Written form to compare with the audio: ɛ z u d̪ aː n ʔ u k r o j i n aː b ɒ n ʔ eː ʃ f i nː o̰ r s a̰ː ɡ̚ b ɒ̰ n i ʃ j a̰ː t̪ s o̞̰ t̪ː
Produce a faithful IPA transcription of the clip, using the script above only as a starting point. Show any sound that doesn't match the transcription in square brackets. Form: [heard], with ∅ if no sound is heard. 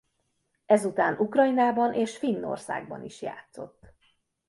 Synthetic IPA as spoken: ɛ z u [t̪] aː n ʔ u k r [ɒ] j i n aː b ɒ n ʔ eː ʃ f i nː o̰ r s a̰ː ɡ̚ b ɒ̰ n i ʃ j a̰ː t̪ s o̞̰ t̪ː